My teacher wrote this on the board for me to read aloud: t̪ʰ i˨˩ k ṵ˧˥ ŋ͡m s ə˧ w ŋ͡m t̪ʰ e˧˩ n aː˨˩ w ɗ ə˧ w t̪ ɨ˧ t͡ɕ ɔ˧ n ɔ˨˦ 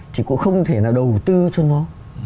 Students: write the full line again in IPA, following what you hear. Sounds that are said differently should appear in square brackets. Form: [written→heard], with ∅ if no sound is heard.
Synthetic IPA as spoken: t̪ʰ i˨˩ k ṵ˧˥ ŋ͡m [s→x] ə˧ w ŋ͡m t̪ʰ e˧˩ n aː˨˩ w ɗ [ə˧→ə˨˩] w t̪ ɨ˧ t͡ɕ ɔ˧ n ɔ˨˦